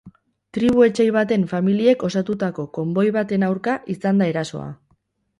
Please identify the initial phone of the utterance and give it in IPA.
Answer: t̪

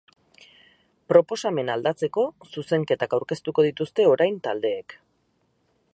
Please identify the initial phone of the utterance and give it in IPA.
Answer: p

